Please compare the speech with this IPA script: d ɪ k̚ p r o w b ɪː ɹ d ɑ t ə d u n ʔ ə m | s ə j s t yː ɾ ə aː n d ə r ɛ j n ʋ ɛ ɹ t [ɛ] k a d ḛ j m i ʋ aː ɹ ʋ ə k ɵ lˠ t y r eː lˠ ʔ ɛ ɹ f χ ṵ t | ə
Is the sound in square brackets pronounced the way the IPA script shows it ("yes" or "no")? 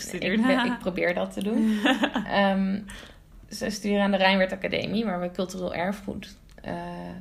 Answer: no